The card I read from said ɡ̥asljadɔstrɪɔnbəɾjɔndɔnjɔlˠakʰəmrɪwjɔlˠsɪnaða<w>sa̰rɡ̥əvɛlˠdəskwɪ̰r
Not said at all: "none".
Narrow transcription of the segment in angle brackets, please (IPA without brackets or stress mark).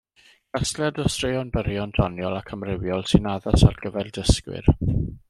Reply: none